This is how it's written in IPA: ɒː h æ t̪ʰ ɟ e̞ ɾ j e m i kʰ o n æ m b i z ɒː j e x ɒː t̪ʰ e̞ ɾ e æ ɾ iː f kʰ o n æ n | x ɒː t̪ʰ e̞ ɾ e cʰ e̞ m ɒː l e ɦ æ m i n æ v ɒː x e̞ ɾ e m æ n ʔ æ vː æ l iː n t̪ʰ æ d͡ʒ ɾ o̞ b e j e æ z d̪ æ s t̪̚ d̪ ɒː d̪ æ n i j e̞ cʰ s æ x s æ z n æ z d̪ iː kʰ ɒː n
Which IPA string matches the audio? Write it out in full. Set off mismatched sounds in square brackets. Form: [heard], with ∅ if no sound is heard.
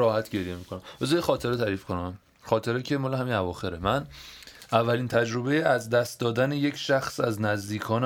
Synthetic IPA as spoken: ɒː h æ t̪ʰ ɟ e̞ ɾ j e m i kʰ o n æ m b [e] z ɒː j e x ɒː t̪ʰ e̞ ɾ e æ ɾ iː f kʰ o n æ [m] | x ɒː t̪ʰ e̞ ɾ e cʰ e̞ m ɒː l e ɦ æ m i n æ v ɒː x e̞ ɾ e m æ n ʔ æ vː æ l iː n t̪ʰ æ d͡ʒ ɾ o̞ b e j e æ z d̪ æ s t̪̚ d̪ ɒː d̪ æ n [e] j e̞ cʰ [ʃ] æ x s æ z n æ z d̪ iː kʰ ɒː n